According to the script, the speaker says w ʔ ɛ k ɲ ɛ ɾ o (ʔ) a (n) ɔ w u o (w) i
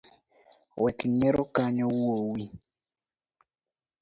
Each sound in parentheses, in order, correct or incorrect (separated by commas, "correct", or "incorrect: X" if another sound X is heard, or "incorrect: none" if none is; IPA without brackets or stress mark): incorrect: k, incorrect: ɲ, correct